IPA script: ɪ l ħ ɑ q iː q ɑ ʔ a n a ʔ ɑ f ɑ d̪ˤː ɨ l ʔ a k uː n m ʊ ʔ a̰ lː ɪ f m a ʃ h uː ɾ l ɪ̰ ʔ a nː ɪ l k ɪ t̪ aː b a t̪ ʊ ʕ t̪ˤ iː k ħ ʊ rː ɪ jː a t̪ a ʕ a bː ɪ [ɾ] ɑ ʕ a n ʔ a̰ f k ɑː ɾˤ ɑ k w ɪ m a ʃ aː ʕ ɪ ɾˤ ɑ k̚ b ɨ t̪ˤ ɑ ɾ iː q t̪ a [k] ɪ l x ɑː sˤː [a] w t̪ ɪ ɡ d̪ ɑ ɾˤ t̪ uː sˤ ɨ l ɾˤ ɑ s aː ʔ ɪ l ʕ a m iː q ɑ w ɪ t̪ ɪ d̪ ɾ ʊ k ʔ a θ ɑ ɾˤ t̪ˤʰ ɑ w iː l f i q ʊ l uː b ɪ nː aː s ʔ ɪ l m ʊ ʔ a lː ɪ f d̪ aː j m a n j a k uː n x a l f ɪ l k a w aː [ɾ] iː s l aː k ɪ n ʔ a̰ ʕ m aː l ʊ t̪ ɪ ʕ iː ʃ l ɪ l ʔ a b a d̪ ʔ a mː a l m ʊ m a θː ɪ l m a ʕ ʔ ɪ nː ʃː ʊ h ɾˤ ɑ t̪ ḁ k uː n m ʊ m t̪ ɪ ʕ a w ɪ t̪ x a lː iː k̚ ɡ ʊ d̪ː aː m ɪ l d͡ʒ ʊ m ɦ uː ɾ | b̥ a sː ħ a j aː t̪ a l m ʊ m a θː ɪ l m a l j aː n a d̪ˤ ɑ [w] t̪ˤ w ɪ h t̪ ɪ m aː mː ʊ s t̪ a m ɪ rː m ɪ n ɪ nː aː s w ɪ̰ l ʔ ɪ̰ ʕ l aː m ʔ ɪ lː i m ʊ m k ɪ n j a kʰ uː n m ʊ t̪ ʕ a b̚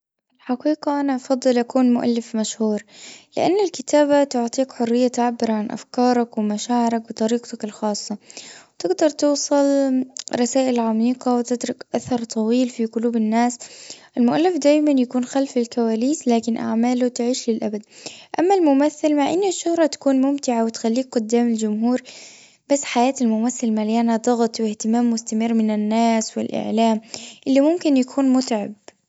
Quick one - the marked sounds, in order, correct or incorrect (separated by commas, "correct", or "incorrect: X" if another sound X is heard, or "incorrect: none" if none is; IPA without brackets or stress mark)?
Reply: correct, correct, incorrect: ɑ, incorrect: l, incorrect: ɣ